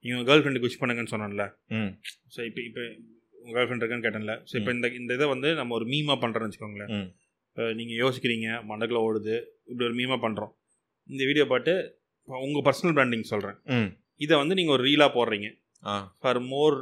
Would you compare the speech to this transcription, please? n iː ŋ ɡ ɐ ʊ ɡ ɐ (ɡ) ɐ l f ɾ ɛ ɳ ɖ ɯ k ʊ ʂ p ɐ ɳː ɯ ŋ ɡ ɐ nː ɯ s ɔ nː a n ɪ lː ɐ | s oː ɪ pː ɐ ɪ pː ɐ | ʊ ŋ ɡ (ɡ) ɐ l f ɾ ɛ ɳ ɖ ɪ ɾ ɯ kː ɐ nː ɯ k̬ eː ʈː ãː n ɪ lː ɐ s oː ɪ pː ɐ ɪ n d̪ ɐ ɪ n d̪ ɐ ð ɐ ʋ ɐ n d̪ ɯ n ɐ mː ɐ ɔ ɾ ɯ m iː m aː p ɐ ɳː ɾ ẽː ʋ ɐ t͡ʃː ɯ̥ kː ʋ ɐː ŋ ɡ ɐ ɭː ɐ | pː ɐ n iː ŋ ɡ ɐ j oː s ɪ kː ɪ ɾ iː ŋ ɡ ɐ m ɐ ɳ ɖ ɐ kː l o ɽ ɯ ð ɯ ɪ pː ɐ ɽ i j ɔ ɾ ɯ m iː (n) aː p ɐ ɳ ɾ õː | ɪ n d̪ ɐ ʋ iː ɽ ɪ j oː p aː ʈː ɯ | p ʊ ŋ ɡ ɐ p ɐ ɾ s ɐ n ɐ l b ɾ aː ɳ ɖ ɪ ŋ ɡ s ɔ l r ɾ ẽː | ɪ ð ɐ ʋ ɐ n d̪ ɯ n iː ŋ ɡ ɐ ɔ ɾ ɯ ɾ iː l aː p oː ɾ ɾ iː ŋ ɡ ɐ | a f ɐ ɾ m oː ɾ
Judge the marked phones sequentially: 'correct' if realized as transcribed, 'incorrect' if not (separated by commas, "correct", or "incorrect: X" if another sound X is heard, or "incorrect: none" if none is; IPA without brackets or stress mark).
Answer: correct, correct, incorrect: m